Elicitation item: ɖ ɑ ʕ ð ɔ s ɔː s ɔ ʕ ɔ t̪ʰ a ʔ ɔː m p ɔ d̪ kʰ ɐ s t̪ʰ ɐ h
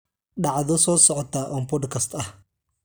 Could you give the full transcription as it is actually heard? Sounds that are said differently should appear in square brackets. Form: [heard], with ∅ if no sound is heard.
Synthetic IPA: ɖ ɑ ʕ ð ɔ s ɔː s ɔ ʕ ɔ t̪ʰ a ʔ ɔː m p ɔ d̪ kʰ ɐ s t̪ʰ ɐ h